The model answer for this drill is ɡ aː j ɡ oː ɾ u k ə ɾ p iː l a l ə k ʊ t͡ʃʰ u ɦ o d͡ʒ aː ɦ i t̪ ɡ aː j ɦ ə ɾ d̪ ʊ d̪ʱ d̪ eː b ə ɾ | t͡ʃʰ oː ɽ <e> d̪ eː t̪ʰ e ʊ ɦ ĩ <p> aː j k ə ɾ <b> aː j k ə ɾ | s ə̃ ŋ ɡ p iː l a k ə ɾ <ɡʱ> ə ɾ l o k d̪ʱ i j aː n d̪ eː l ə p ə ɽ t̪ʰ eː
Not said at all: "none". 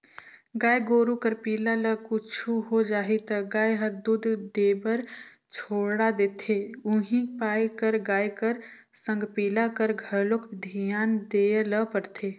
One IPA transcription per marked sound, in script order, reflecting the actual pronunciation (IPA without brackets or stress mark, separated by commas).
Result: a, p, ɡ, ɡʱ